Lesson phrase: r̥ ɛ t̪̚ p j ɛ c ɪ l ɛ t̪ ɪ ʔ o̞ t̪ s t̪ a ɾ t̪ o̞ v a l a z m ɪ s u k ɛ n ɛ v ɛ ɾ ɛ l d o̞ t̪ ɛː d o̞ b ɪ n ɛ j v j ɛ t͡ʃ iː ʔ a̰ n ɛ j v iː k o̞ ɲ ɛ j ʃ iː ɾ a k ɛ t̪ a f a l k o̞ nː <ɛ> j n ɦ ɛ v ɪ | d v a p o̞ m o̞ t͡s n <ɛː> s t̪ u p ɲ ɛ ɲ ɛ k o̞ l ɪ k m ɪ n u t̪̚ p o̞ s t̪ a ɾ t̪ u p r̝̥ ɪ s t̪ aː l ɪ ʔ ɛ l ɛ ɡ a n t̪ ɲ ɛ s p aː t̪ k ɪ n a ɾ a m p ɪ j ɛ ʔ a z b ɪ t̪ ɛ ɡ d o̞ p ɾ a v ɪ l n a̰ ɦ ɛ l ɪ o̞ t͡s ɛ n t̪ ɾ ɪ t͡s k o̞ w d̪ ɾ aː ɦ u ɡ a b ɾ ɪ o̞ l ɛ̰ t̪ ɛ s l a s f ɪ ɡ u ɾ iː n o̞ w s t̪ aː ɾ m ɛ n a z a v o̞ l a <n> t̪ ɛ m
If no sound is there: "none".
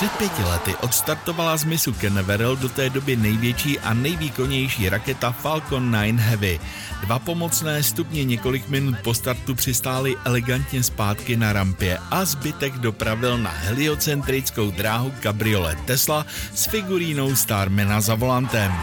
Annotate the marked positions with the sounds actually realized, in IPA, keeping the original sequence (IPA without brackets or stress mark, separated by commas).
a, ɛː, n